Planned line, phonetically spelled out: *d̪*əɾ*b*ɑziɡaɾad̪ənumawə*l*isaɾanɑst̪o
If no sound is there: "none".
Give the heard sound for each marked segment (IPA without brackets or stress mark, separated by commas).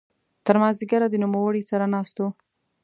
t̪, m, ɽ